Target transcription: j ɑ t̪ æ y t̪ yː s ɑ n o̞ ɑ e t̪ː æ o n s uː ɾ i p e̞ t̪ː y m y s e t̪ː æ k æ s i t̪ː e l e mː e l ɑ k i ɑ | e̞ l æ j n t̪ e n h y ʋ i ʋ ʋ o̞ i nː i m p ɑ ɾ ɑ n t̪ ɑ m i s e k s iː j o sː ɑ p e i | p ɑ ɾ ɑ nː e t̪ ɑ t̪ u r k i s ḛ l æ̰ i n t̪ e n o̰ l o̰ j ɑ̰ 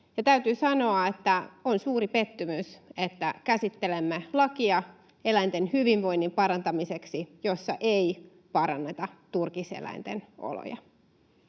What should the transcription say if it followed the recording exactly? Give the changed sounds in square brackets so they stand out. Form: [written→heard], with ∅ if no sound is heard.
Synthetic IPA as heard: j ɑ t̪ æ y t̪ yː s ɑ n o̞ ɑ e t̪ː æ o n s uː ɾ i p e̞ t̪ː y m y s e t̪ː æ k æ s i t̪ː e l e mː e l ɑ k i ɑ | e̞ l æ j n t̪ e n h y ʋ i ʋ ʋ o̞ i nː i m p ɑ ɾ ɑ n t̪ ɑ m i s e k s [iː→i] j o sː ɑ [p→ʔ] e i | p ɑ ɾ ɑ nː e t̪ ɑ t̪ u r k i s ḛ l æ̰ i n t̪ e n o̰ l o̰ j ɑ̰